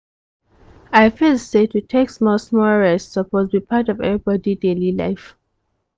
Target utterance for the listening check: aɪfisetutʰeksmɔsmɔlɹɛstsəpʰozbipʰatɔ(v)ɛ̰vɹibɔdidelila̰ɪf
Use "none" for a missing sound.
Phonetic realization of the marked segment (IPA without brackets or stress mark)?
v